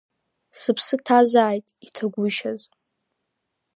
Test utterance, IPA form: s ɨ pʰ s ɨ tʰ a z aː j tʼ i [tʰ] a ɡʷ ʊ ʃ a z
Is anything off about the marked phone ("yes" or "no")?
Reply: no